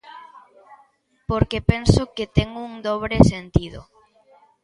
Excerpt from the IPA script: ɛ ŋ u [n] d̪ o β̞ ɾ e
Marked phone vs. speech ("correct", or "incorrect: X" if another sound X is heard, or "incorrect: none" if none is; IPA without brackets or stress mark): incorrect: ŋ